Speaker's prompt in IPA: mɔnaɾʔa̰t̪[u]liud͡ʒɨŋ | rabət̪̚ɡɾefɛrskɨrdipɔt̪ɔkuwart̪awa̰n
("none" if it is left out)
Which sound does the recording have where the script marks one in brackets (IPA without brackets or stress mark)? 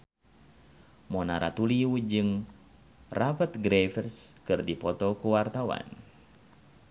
u